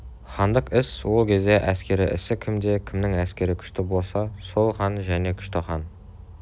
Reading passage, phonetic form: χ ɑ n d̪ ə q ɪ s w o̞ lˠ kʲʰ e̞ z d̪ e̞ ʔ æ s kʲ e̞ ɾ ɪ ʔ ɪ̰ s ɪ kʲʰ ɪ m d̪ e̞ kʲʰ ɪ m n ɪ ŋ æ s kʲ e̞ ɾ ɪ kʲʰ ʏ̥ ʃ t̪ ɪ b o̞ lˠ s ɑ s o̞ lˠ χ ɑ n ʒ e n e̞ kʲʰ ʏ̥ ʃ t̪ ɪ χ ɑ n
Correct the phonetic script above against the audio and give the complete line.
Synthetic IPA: χ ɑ n d̪ ə q ɪ s w o̞ lˠ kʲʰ e̞ z d̪ e̞ ʔ æ s kʲ e̞ ɾ ɪ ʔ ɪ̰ s ɪ kʲʰ ɪ m d̪ e̞ kʲʰ ɪ m n ɪ ŋ æ s kʲ e̞ ɾ ɪ kʲʰ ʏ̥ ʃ t̪ ɪ b o̞ lˠ s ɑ s o̞ lˠ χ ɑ n ʒ æ n e̞ kʲʰ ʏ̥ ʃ t̪ ɪ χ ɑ n